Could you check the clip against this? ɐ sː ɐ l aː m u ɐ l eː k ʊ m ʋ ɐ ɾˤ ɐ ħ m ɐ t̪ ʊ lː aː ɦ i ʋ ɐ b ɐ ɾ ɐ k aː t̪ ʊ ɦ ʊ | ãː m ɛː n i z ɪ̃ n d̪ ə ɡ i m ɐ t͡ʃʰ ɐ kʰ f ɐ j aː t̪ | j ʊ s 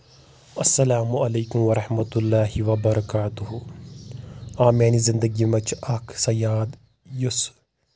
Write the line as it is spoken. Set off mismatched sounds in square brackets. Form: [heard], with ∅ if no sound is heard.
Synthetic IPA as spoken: ɐ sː ɐ l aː m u ɐ l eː k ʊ m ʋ ɐ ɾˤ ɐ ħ m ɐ t̪ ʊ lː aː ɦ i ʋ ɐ b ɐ ɾ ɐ k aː t̪ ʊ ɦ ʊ | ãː m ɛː n i z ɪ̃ n d̪ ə ɡ i m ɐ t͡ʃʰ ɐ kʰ [s] ɐ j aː [d̪] | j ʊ s